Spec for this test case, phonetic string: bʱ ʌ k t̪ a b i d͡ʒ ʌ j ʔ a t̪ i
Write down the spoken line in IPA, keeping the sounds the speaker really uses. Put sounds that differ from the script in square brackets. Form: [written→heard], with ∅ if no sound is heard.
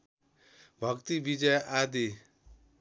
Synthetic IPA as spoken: bʱ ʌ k t̪ [a→i] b i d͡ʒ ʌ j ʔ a [t̪→d̪] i